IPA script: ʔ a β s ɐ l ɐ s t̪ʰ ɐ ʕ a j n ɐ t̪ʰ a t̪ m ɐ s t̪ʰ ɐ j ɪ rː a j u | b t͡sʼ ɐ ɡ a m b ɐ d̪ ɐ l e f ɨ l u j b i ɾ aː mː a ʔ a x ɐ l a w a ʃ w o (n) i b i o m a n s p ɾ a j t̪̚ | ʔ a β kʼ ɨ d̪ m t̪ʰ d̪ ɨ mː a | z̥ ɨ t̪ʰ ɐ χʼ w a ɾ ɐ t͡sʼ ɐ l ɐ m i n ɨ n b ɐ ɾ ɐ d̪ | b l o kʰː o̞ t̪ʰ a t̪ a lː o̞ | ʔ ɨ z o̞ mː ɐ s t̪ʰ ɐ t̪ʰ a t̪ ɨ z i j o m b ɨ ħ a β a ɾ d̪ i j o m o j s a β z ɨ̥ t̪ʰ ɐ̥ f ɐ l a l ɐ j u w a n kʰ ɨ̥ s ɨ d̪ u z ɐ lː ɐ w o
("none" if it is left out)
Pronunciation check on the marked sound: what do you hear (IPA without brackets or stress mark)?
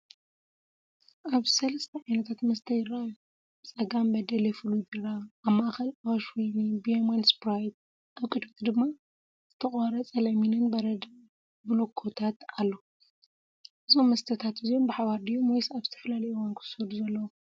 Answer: n